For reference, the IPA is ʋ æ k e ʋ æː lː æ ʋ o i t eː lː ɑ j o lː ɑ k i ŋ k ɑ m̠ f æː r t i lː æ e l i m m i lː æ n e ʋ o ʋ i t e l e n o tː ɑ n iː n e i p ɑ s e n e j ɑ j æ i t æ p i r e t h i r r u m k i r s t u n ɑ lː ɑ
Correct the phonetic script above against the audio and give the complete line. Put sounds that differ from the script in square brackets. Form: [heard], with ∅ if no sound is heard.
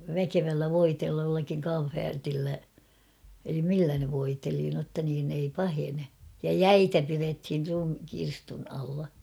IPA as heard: ʋ æ k e ʋ [æ] lː æ ʋ o i t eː lː ɑ j o lː ɑ k i ŋ k ɑ m̠ f æː r t i lː æ e l i m m i lː æ n e ʋ o [∅] i t e l [i] n o tː ɑ n iː n e i p ɑ [h] e n e j ɑ j æ i t æ p i r e t h i r r u m k i r s t u n ɑ lː ɑ

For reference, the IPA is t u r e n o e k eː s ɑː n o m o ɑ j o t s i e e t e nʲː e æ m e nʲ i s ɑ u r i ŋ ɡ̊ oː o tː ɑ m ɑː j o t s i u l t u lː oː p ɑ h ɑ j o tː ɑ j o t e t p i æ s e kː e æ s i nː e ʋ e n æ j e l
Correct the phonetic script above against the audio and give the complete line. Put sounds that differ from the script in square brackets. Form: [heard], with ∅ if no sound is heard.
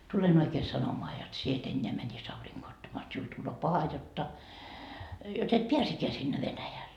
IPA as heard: t u [l] e n o [i] k eː s [ɑ] n o m o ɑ j o t s i e e t e nʲː e æ m [æ] nʲ i s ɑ u r i ŋ ɡ̊ oː o tː ɑ m ɑː j o t s i u l t u lː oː p ɑ h ɑ j o tː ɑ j o t e t p i æ s e kː e æ s i nː e ʋ e n æ j [æ] l

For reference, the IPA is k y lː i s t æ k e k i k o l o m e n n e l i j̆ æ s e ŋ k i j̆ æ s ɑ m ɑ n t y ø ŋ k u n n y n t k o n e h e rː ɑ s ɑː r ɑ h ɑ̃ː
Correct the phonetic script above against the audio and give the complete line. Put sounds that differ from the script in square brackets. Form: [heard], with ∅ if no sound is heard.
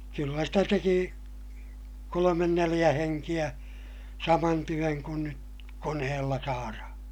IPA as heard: k y lː [æ] s t æ [t] e k i k o l o m e n n e l i j̆ æ [h] e ŋ k i j̆ æ s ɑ m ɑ n t y ø ŋ k u n n y [∅] t k o n e h e [lː] ɑ s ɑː r ɑ h ɑ̃ː

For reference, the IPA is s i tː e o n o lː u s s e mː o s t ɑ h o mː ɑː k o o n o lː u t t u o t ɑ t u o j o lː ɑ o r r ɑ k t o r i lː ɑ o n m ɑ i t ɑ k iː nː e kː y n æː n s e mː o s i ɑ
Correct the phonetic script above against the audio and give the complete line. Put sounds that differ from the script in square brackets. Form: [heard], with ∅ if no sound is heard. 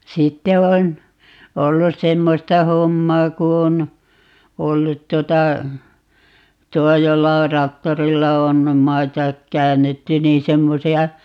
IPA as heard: s i tː e o n o lː u s s e mː o s t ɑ h o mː ɑː k [u] o n o lː u t t u o t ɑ t u o j o lː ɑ o r r ɑ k t o r i lː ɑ o n m ɑ i t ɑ k [æː] nː e [tː] y n [iː] n s e mː o s i ɑ

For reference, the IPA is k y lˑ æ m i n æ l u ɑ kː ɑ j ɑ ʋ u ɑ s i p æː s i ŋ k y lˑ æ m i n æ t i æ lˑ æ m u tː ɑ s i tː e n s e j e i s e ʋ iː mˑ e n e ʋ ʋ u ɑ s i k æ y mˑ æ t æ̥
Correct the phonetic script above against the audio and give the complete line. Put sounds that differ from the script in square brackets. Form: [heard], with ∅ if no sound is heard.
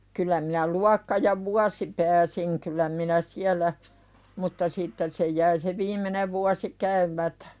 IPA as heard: k y lˑ æ m i n æ l u ɑ kː ɑ j ɑ ʋ u ɑ s i p æː s i ŋ k y lˑ æ m i n æ [s] i æ lˑ æ m u tː ɑ s i tː e n s e j [æ] i s e ʋ iː mˑ e n e ʋ ʋ u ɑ s i k æ y mˑ æ t æ̥

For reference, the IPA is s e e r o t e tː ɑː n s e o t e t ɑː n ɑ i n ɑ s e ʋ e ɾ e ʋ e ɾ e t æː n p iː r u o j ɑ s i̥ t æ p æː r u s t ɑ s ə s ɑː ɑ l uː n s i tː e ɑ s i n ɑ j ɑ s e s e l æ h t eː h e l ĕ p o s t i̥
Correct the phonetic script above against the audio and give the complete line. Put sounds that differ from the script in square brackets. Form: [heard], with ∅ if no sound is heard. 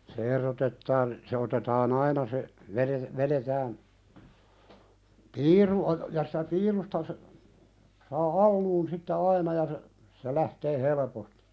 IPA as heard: s e e r o t e tː ɑː n s e o t e t ɑː n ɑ i n ɑ s e ʋ e ɾ e ʋ e ɾ e t æː n p iː r u o j ɑ s i̥ t æ p [iː] r u s t ɑ s ə s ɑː ɑ [lː] uː n s i tː e ɑ [∅] i n ɑ j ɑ s e s e l æ h t eː h e l ĕ p o s t i̥

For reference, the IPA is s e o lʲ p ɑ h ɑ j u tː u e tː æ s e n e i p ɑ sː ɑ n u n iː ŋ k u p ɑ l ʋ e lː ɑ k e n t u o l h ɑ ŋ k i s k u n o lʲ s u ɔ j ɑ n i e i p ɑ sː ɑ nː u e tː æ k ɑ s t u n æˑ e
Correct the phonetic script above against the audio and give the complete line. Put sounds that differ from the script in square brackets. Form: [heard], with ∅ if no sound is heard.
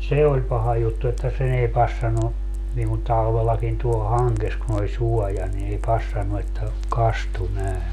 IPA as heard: s e o lʲ p ɑ h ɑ j u tː u e tː æ s e n e i p ɑ sː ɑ n u n iː ŋ k u [t] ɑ l ʋ e lː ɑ k [i] n t u o l h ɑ ŋ k [e] s k u n o lʲ s u ɔ j ɑ n i e i p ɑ sː ɑ nː u e tː æ k ɑ s t u n æˑ e

